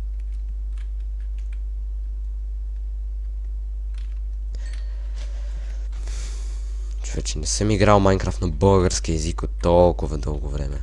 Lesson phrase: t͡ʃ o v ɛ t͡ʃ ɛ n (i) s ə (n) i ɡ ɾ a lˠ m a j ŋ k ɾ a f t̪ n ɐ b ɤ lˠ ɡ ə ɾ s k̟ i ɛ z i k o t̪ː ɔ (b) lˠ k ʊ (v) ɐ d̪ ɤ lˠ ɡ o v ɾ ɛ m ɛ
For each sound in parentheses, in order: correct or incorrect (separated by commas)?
incorrect, incorrect, incorrect, correct